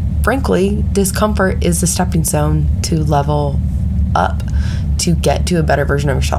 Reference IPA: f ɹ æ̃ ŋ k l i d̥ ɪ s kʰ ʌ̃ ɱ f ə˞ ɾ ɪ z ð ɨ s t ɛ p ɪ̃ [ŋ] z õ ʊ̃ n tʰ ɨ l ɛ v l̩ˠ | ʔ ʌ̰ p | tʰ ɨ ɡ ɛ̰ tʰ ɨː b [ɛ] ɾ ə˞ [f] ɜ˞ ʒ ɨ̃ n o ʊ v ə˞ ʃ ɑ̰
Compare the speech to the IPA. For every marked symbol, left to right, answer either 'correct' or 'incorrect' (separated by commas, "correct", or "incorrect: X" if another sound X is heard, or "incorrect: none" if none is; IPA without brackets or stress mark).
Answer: correct, correct, incorrect: v